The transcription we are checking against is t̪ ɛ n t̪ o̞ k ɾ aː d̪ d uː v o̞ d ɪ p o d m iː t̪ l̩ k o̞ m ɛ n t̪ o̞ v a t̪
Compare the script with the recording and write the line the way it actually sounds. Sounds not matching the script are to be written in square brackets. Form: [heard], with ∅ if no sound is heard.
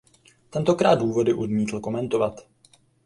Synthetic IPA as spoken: t̪ ɛ n t̪ o̞ k ɾ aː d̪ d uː v o̞ d ɪ [ʔ] o d m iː t̪ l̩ k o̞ m ɛ n t̪ o̞ v a t̪